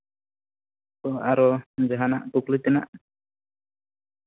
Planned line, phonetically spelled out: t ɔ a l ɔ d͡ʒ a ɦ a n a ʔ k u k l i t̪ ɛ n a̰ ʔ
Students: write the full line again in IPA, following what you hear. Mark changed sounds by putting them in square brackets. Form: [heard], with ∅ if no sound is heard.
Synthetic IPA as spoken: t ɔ a [ɾ] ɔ d͡ʒ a ɦ a n a ʔ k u k l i t̪ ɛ n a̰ ʔ